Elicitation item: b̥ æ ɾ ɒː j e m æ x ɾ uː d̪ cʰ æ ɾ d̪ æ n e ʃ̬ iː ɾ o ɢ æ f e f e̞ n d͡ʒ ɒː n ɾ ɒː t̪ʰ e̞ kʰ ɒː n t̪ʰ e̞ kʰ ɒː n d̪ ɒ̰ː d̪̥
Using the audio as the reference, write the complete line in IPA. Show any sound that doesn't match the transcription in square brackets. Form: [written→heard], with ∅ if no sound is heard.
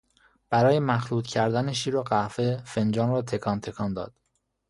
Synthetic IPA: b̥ æ ɾ ɒː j e m æ x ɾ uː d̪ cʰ æ ɾ d̪ æ n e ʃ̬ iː ɾ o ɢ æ f e f e̞ n d͡ʒ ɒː n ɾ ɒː t̪ʰ e̞ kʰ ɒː n t̪ʰ e̞ kʰ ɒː n d̪ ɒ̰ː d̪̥